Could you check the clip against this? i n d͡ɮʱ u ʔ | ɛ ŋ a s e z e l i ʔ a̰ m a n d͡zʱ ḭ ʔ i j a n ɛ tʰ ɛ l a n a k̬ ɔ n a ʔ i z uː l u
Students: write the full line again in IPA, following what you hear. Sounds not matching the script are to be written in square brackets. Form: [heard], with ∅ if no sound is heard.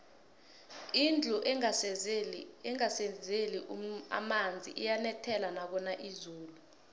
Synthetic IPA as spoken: i n d͡ɮʱ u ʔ | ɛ ŋ a s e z e l i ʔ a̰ m a n d͡zʱ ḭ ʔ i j a n ɛ tʰ ɛ l a n a k̬ ɔ n a ʔ i z uː l u